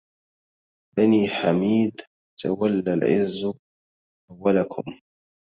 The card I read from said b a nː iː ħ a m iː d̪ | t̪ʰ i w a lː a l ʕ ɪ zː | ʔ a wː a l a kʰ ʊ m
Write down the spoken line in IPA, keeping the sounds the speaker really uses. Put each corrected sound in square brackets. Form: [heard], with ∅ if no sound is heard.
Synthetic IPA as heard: b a [n] iː ħ a m iː d̪ | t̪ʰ [a] w a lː a l ʕ ɪ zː | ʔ a wː a l a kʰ ʊ m